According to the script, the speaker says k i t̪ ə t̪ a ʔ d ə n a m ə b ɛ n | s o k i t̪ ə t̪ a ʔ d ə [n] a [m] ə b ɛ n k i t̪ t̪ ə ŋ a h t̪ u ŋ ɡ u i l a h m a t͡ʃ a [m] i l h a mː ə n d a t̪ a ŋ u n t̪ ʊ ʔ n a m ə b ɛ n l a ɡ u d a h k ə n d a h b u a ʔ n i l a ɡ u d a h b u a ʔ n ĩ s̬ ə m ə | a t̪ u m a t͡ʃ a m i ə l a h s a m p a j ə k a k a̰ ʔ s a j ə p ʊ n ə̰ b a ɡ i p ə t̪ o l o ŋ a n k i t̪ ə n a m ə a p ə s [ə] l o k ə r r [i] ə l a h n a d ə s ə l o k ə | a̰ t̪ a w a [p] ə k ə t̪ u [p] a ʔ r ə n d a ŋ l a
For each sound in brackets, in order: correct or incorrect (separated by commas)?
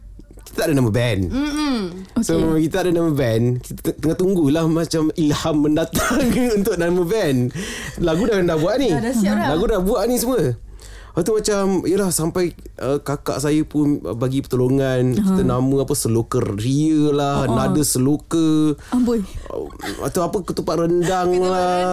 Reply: correct, correct, correct, correct, correct, correct, correct